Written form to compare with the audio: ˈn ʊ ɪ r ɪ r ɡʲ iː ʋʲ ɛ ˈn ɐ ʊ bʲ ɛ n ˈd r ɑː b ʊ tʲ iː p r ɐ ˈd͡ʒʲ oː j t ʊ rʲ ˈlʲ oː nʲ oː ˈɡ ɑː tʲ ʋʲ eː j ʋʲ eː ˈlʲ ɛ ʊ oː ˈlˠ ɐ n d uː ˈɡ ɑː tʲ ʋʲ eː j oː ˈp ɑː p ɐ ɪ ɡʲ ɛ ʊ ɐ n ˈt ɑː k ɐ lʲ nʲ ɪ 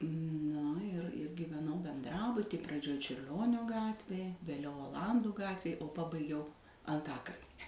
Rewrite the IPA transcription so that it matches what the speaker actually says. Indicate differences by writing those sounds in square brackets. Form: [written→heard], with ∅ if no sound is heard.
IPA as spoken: ˈn ʊ ɪ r ɪ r ɡʲ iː ʋʲ ɛ ˈn ɐ ʊ bʲ ɛ n ˈd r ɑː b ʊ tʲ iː p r ɐ ˈd͡ʒʲ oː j [t→t͡ʃʲ] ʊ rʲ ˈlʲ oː nʲ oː ˈɡ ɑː tʲ ʋʲ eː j ʋʲ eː ˈlʲ ɛ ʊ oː ˈlˠ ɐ n d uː ˈɡ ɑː tʲ ʋʲ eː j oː ˈp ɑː [p→b] ɐ ɪ ɡʲ ɛ ʊ ɐ n ˈt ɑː k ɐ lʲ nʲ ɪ